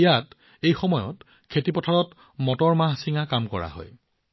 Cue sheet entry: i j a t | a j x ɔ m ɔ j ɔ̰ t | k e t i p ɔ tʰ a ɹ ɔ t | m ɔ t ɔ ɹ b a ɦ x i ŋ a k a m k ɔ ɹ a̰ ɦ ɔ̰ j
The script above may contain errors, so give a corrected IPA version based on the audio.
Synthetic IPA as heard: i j a t | e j x ɔ m ɔ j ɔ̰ t | kʰ e t i p ɔ tʰ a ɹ ɔ t | m ɔ t ɔ ɹ m a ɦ s i ŋ a k a m k ɔ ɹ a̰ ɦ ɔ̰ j